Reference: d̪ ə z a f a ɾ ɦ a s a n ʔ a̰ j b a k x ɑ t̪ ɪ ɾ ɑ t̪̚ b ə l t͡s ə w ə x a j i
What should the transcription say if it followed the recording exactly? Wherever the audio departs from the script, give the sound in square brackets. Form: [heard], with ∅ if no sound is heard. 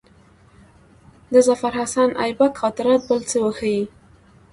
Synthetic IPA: d̪ ə z a f a ɾ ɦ a s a n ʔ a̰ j b a k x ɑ t̪ ɪ ɾ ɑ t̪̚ b ə l t͡s ə w ə x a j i